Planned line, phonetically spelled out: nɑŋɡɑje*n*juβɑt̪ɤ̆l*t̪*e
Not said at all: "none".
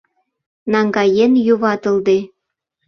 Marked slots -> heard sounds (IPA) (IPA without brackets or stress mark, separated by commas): n, d̪